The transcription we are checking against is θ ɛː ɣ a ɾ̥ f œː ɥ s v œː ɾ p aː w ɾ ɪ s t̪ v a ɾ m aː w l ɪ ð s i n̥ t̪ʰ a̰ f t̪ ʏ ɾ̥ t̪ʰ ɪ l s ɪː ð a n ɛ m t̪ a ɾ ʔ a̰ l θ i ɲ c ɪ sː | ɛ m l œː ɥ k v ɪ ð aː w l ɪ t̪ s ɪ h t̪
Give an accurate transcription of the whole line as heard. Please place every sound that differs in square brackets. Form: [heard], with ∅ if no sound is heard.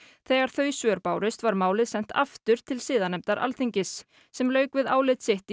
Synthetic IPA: θ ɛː ɣ a ɾ̥ [θ] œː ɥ s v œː ɾ p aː w ɾ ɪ s t̪ v a ɾ m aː w l ɪ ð s [ɛ] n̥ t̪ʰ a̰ f t̪ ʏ ɾ̥ t̪ʰ ɪ l s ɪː ð a n ɛ m t̪ a ɾ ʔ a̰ l θ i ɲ c ɪ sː | ɛ m l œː ɥ k v ɪ ð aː w l ɪ t̪ s ɪ h t̪